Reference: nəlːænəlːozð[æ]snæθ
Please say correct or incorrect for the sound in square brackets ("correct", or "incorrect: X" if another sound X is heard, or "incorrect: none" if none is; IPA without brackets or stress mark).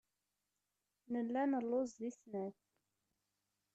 incorrect: i